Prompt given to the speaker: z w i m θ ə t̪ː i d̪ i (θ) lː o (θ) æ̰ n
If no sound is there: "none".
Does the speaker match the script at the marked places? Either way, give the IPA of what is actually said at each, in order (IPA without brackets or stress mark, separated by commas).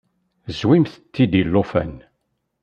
none, f